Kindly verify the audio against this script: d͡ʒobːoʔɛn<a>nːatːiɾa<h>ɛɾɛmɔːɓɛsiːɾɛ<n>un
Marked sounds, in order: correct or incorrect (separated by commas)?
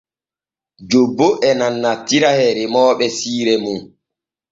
correct, correct, incorrect